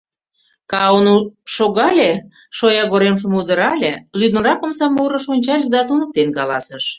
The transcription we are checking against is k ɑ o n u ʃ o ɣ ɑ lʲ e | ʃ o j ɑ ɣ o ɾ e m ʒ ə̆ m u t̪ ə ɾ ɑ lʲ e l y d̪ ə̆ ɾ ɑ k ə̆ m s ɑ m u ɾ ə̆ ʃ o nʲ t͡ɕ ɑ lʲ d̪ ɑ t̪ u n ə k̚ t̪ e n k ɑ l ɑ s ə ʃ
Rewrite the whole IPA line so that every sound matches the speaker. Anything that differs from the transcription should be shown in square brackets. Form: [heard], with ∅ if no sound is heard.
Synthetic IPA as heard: k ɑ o n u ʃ o ɣ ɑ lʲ e | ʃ o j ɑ ɣ o ɾ e m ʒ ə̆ m u [d̪] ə ɾ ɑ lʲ e l y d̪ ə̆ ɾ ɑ k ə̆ m s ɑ m u ɾ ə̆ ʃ o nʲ t͡ɕ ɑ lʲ d̪ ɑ t̪ u n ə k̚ t̪ e n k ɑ l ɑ s ə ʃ